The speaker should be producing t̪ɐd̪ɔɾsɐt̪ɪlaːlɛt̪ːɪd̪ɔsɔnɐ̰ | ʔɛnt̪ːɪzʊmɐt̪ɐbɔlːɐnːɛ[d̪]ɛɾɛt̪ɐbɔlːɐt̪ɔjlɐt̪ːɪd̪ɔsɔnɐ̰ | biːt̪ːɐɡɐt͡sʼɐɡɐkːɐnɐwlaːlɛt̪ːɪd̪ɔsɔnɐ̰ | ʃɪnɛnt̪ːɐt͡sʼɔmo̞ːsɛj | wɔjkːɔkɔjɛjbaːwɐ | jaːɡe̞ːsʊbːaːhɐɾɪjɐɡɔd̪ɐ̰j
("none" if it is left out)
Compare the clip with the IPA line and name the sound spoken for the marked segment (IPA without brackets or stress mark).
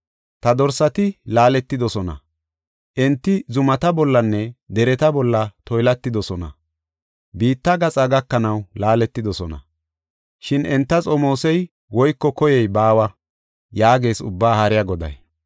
d̪